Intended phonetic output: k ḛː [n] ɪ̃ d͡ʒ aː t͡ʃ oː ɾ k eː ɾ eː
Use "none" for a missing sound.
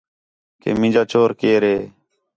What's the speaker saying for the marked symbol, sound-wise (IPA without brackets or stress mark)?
m